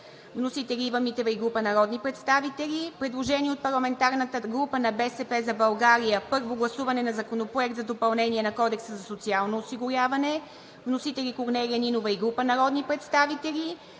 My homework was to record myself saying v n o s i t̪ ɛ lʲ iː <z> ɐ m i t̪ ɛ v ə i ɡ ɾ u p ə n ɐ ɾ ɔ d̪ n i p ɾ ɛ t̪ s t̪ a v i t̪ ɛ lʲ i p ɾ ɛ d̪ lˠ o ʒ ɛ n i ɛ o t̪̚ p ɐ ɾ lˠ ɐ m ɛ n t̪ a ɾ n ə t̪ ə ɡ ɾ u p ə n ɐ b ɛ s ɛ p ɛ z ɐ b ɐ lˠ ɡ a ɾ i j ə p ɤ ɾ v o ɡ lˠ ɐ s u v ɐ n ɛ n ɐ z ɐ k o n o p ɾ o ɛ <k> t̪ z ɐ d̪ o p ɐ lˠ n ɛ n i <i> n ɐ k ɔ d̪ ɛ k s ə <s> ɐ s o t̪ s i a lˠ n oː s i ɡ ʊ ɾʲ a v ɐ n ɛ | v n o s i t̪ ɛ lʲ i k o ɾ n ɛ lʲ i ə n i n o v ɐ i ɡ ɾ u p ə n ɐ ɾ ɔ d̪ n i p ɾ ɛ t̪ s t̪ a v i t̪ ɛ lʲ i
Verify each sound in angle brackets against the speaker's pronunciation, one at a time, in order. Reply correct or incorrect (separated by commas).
incorrect, correct, incorrect, incorrect